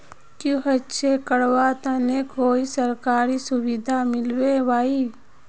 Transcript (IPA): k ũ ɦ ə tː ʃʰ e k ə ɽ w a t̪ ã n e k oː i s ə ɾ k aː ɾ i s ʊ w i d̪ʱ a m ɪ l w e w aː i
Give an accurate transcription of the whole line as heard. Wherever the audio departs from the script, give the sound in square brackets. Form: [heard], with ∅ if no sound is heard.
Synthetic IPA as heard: k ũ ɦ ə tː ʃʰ e k ə ɽ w a t̪ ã n e k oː i s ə ɾ k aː ɾ i s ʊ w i d̪ʱ a m ɪ l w e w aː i

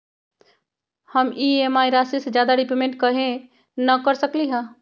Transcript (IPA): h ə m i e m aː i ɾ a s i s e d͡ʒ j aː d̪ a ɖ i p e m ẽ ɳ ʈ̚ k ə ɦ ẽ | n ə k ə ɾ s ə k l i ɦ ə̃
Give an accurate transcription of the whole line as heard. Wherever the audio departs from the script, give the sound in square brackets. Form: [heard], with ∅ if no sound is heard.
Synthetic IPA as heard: h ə m i e m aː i ɾ a s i s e d͡ʒ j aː d̪ a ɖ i p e m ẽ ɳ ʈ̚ k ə ɦ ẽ | n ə k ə ɾ s ə k l i ɦ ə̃

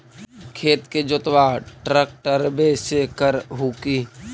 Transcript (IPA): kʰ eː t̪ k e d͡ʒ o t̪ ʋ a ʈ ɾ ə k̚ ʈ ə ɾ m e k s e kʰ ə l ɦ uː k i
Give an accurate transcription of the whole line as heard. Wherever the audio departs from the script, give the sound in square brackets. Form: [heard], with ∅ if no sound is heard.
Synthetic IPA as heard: kʰ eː t̪ k e d͡ʒ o t̪ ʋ a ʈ ɾ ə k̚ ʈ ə ɾ [b] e [∅] s e [k] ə [ɾ] ɦ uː k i

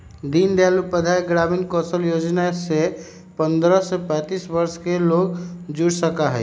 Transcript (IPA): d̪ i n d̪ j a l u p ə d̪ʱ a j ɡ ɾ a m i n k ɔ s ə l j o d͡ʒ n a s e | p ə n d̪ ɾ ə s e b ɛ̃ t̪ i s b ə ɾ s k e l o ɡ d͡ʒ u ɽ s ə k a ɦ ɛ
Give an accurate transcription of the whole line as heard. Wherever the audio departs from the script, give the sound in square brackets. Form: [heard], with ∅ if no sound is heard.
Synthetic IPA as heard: d̪ i n d̪ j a l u p ə d̪ʱ a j ɡ ɾ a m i n k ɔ s ə l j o d͡ʒ n a s e | p ə n d̪ ɾ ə s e [p] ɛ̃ t̪ i s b ə ɾ s k e l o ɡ d͡ʒ u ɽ s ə k a ɦ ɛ

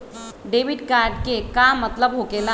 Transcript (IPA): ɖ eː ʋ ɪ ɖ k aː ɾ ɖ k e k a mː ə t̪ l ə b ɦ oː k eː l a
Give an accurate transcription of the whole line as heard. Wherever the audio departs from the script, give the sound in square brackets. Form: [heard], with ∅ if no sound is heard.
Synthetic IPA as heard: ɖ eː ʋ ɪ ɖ k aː ɾ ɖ k e k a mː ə t̪ l ə b ɦ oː k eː l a

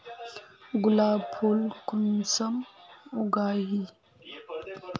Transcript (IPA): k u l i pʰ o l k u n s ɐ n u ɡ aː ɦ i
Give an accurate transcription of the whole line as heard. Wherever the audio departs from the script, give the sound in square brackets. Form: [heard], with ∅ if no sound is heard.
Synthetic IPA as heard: [ɡ] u l [a] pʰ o l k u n s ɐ [m] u ɡ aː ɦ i

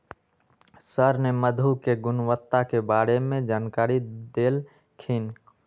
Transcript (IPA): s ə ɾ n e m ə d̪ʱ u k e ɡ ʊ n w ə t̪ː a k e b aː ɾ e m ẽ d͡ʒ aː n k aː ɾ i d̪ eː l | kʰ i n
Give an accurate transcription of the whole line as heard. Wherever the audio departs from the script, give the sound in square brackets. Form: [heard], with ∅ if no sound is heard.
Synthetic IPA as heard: s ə ɾ n e m ə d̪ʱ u k e ɡ ʊ n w ə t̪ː a k e b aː ɾ e m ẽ d͡ʒ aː n k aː ɾ i d̪ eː l | kʰ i n

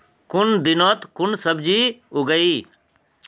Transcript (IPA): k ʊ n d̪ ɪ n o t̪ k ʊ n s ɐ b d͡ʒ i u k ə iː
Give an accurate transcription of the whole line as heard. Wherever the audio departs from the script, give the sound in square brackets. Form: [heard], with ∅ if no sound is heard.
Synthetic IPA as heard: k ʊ n d̪ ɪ n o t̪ k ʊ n s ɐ b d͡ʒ i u [ɡ] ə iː

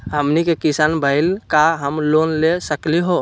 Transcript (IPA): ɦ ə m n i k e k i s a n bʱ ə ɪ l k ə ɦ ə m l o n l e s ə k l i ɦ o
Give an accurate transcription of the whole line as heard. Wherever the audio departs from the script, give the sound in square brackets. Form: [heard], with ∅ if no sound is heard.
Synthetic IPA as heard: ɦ ə m n i k e k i s a n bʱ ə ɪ l k [a] ɦ ə m l o n l e s ə k l i ɦ o

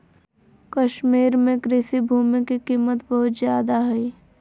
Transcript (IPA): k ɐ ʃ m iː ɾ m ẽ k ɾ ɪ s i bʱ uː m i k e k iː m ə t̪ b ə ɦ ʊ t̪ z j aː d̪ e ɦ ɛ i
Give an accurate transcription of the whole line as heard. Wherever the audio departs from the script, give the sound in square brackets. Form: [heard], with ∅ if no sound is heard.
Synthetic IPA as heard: k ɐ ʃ m iː ɾ m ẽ k ɾ ɪ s i bʱ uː m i k [i] k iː m ə t̪ b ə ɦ ʊ t̪ z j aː d̪ [a] ɦ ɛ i

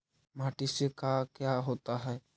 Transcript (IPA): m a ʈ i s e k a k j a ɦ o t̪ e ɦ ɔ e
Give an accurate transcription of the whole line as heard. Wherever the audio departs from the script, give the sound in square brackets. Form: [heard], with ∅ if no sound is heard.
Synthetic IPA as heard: m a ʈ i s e k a k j a ɦ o t̪ [a] ɦ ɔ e

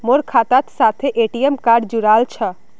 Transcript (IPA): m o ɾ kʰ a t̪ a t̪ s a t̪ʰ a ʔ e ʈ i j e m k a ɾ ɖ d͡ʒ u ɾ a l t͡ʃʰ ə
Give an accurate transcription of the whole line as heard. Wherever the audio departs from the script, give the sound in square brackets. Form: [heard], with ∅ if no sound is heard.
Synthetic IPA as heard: m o ɾ kʰ a t̪ a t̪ s a t̪ʰ [e] ʔ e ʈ i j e m k a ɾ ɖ d͡ʒ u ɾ a l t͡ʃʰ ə

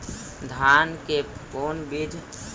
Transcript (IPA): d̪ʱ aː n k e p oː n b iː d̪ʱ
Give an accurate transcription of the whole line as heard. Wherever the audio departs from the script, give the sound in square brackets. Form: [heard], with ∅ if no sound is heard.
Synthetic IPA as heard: d̪ʱ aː n k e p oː n b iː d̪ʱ

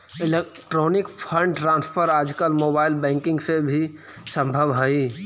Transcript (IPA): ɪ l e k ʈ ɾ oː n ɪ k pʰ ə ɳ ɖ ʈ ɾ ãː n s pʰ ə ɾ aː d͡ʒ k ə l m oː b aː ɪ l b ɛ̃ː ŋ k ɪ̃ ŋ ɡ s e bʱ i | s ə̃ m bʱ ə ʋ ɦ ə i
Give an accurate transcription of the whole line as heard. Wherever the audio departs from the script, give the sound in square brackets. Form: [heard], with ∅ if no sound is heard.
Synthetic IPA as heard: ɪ l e k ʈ ɾ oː n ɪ k pʰ ə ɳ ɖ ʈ ɾ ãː n s pʰ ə ɾ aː d͡ʒ k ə l m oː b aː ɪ l b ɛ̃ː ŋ k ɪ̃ ŋ ɡ s e bʱ i | s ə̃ m bʱ ə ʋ ɦ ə i

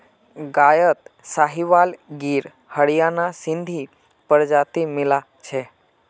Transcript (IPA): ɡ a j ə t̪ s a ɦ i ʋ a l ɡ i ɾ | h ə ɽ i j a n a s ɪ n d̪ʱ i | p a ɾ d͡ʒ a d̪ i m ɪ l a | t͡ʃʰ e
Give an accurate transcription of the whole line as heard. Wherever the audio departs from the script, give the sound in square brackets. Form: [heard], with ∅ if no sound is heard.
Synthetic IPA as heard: ɡ a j ə t̪ s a ɦ i ʋ a l ɡ i ɾ | h ə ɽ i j a n a s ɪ n d̪ʱ i | p [ə] ɾ d͡ʒ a [t̪] i m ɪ l a | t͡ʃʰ e

